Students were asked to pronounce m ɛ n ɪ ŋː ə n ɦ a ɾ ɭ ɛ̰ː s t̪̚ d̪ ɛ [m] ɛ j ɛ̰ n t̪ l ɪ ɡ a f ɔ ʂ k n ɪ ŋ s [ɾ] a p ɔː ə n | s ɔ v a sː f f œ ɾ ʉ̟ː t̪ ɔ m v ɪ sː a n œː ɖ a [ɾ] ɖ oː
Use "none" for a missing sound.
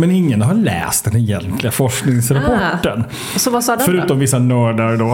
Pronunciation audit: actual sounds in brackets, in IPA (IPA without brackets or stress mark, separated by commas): n, ɾ, ɾ